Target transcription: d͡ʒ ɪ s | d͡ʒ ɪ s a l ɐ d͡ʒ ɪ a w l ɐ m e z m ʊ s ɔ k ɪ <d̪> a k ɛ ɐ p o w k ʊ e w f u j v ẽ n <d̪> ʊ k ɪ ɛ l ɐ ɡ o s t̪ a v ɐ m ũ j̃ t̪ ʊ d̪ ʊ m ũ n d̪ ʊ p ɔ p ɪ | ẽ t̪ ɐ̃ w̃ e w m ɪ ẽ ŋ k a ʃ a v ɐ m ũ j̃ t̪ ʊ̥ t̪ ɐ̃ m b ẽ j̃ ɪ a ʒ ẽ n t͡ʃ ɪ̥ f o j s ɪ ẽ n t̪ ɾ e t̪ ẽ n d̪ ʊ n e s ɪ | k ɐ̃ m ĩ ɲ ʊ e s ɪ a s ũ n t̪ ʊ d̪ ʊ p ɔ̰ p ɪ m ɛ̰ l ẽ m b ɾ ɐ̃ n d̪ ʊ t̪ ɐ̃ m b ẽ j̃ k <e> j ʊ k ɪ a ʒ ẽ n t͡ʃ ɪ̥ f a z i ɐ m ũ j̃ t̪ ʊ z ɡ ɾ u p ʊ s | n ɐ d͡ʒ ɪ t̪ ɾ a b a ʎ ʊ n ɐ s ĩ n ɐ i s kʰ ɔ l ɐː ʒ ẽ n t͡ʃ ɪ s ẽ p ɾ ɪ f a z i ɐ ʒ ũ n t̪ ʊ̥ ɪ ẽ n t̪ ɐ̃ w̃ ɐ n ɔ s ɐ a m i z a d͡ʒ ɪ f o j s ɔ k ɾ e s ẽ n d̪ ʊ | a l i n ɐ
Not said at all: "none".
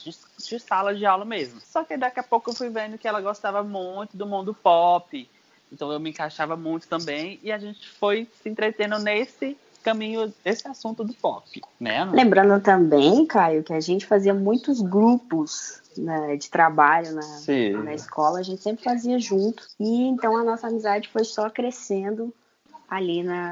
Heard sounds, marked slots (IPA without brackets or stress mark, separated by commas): d̪, d̪, a